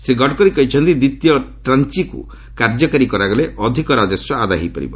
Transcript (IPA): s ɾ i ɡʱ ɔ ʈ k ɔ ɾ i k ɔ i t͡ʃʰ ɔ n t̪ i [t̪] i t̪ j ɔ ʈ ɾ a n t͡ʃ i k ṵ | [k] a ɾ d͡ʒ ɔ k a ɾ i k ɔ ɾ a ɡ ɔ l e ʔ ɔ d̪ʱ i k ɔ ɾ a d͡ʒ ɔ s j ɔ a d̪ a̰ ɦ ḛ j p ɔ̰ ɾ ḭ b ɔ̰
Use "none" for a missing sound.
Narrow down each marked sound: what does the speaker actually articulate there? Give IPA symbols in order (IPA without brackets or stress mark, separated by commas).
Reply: d̪, k